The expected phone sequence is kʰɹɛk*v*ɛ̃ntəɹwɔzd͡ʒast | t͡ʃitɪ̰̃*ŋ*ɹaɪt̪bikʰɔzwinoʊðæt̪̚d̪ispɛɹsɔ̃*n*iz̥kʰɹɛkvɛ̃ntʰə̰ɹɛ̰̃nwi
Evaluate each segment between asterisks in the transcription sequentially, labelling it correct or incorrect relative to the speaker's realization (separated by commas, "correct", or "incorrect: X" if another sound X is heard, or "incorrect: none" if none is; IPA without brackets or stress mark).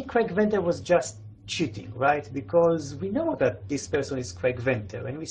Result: correct, correct, correct